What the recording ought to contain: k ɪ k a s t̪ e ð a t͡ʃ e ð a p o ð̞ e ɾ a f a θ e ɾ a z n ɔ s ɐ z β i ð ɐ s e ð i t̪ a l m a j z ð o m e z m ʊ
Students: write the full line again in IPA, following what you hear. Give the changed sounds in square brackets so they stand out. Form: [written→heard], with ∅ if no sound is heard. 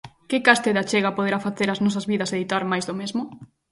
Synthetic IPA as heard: k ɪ k a s t̪ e ð a t͡ʃ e [ð→ɣ] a p o ð̞ e ɾ a f a θ e ɾ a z n ɔ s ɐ z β i ð ɐ s e ð i t̪ a [l→ɾ] m a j z ð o m e z m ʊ